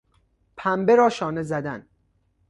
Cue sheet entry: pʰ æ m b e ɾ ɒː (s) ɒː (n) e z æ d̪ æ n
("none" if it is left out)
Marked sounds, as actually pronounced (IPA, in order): ʃ, n

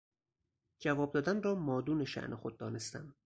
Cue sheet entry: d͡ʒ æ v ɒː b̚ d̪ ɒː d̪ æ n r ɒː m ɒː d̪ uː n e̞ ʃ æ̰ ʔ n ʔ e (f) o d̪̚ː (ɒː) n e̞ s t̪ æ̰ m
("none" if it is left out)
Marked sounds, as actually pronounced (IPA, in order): x, ɒː

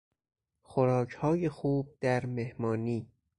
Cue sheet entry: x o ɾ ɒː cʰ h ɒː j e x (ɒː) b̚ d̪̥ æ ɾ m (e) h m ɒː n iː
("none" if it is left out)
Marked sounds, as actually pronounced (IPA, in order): uː, e

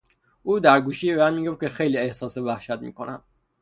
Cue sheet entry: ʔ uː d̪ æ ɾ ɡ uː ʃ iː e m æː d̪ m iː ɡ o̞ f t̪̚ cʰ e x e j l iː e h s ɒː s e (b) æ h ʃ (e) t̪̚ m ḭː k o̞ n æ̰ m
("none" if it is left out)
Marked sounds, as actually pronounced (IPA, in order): v, æ

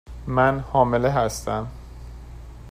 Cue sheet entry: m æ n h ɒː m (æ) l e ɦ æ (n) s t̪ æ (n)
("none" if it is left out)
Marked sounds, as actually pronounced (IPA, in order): e, none, m

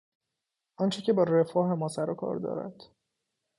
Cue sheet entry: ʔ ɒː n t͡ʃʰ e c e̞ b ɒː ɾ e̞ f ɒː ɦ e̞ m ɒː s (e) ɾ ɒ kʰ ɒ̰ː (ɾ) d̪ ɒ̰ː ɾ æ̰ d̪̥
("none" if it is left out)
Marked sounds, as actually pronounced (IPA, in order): æ, ɾ

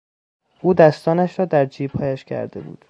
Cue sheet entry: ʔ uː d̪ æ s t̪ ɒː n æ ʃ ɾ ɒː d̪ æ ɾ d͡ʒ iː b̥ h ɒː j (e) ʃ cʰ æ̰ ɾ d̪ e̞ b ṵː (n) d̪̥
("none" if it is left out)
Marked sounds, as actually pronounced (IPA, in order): æ, none

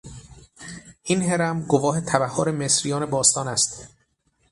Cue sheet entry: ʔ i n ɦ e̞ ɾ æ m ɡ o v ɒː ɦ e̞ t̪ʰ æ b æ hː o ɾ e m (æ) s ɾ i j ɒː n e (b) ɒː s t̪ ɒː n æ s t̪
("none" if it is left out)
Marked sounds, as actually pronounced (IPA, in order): e, b

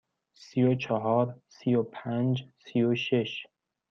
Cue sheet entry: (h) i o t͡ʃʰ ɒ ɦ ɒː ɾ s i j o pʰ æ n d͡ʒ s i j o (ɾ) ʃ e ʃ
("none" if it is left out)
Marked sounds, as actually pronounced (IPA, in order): s, none

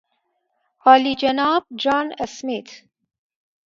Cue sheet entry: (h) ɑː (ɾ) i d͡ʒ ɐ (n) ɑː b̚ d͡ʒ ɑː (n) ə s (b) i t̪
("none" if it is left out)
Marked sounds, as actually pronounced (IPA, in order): h, l, n, n, m

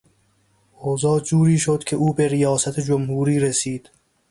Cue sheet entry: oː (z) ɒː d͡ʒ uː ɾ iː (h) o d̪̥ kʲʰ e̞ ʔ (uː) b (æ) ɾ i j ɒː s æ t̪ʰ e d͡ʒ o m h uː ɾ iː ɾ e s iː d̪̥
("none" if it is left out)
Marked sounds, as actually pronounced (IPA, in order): z, ʃ, uː, e

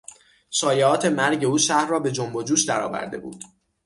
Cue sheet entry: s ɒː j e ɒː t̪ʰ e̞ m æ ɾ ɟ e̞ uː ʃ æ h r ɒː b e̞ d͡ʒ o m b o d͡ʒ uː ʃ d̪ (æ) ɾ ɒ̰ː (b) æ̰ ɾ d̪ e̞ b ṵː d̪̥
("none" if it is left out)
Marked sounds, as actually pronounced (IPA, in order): æ, v

